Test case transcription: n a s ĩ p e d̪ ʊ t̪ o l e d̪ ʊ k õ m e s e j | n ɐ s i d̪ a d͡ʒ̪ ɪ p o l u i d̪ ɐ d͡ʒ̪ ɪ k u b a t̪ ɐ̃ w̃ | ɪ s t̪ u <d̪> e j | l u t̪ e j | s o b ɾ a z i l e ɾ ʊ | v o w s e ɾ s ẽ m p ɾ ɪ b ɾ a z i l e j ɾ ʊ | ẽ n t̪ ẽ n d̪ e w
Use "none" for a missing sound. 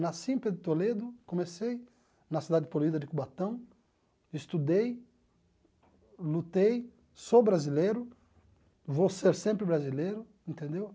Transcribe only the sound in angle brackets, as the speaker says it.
d̪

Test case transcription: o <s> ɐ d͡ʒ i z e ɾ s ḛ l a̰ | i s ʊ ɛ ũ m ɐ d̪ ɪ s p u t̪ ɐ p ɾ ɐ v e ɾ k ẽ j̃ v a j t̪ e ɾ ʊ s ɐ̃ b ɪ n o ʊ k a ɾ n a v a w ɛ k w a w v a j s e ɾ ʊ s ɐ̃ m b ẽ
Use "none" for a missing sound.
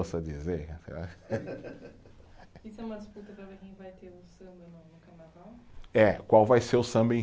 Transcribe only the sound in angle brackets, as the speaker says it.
s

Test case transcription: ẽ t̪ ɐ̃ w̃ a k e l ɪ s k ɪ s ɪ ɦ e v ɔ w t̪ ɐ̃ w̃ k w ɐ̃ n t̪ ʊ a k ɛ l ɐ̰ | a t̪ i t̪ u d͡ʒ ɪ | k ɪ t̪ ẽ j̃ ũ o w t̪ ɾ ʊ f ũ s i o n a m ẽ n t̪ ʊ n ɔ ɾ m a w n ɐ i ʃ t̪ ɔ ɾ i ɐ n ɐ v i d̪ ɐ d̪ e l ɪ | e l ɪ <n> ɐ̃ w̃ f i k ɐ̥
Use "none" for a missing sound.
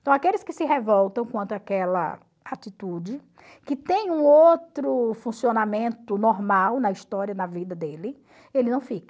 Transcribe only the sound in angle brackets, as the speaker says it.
n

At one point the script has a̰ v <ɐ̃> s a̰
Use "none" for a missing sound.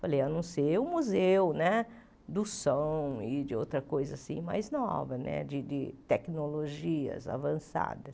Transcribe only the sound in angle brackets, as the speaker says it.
ɐ̃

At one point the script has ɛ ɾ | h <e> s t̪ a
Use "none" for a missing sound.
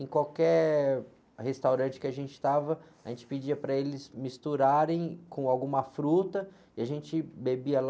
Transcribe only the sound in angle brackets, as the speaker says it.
e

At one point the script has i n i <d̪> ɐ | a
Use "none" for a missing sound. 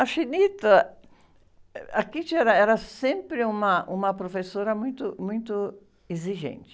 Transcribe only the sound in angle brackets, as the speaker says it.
t̪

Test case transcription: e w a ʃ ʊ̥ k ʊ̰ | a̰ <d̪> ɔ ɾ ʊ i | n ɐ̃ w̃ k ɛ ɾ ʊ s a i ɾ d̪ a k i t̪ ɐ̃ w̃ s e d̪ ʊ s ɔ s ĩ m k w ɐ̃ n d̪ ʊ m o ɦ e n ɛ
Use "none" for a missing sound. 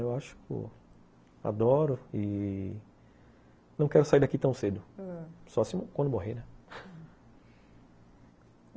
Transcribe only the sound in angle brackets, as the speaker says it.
d̪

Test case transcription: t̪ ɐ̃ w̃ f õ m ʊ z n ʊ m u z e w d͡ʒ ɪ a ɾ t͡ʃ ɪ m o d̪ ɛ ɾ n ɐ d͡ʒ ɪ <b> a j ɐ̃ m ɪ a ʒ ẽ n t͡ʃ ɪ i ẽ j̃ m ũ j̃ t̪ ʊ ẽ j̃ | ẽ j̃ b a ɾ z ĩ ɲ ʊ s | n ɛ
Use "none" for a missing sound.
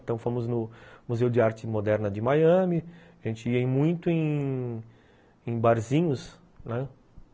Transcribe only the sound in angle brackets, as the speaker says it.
m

